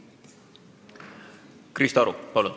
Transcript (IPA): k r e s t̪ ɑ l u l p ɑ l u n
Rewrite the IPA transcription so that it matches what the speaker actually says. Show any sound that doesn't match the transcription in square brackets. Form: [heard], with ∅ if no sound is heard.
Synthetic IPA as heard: k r [i] s t̪ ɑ [ɾ] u [∅] p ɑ l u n